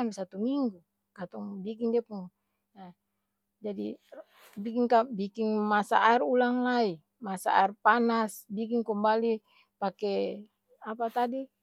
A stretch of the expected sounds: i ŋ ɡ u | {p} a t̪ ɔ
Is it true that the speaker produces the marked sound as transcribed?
no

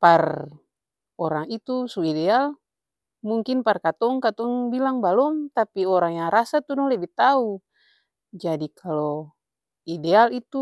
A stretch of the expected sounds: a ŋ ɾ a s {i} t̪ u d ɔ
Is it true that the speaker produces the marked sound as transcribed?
no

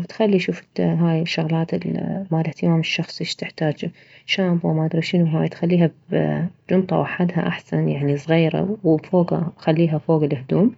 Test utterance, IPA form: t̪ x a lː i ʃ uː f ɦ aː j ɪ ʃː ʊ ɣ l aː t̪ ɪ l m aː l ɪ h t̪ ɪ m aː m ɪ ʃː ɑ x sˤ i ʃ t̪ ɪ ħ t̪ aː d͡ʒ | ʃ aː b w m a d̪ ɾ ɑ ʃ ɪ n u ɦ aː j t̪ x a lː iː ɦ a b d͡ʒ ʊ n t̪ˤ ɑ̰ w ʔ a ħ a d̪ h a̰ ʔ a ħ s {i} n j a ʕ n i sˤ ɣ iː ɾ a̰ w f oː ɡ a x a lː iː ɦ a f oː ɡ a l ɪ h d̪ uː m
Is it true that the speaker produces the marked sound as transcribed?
no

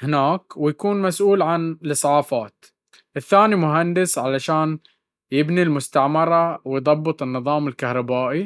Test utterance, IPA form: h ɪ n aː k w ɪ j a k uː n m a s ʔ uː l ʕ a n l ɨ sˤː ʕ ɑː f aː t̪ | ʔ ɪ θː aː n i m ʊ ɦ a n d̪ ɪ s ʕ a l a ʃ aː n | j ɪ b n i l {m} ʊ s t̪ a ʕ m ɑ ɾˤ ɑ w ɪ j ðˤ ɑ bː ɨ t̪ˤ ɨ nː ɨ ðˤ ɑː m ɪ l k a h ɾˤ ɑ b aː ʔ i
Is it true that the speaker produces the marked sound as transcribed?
yes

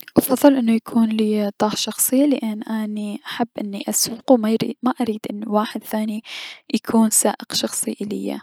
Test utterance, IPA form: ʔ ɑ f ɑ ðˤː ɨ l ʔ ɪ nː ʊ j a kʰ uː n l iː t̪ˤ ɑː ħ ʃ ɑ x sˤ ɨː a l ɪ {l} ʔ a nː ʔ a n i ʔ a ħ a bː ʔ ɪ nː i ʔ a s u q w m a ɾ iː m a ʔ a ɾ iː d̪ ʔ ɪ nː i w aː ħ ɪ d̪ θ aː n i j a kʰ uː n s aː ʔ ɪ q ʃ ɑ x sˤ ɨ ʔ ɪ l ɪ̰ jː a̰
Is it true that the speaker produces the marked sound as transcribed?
no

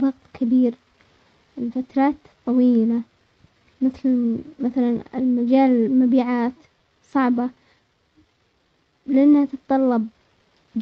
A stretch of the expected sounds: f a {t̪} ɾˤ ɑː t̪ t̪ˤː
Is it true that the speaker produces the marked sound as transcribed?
yes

